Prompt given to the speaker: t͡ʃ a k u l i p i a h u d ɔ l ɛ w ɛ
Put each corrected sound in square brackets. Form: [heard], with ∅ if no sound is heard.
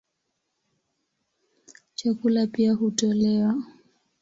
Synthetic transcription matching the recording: t͡ʃ a k u l [a] p i a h u [t] ɔ l ɛ w [a]